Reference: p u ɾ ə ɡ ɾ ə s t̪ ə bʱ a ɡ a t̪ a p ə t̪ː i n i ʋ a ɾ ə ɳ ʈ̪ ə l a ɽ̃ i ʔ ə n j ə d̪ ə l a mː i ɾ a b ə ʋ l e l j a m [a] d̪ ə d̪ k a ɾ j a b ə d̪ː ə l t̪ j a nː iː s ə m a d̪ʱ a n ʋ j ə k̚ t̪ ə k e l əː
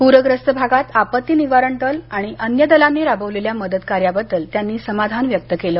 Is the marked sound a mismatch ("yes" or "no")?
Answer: yes